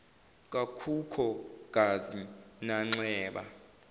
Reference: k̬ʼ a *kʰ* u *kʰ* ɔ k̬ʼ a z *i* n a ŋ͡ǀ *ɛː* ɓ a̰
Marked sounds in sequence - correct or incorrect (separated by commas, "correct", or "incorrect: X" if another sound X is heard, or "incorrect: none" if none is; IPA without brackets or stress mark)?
correct, correct, correct, correct